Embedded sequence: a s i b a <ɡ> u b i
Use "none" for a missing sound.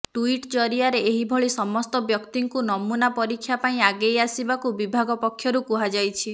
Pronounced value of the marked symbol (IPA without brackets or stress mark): k